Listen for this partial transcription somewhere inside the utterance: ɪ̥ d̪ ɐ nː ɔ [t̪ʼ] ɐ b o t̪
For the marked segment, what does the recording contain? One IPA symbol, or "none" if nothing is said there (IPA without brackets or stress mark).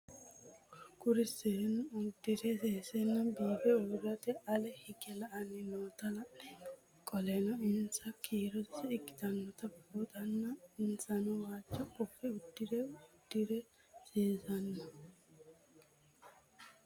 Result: t̪